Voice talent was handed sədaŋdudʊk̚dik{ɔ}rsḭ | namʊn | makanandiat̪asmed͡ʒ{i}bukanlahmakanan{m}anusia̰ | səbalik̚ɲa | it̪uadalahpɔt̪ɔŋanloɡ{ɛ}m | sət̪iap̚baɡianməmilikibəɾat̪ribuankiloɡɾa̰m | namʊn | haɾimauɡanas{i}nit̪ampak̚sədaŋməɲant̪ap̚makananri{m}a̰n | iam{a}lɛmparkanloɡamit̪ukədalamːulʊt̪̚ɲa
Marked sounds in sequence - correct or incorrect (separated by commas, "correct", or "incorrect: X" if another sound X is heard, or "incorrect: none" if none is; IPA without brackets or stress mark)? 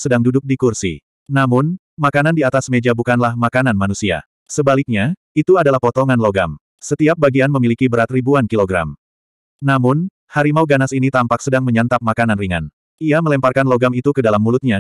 incorrect: u, incorrect: a, correct, incorrect: a, correct, incorrect: ŋ, incorrect: ə